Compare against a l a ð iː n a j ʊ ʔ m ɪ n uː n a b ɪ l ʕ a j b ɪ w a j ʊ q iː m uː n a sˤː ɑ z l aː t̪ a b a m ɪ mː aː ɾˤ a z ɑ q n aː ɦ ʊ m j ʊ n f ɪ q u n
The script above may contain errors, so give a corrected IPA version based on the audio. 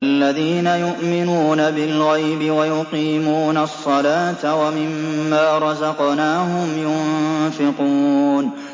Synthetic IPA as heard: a lː a ð iː n a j ʊ ʔ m ɪ n uː n a b ɪ l ɣ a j b ɪ w a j ʊ q iː m uː n a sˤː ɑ l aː t̪ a w a m ɪ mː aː ɾˤ ɑ z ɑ q n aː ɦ ʊ m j ʊ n f ɪ q u n